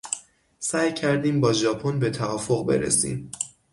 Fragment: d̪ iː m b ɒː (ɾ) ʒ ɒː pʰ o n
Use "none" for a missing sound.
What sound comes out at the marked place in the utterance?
none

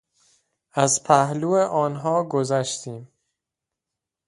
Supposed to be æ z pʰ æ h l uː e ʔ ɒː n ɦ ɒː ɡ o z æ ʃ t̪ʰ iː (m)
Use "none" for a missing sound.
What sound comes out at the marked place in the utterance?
m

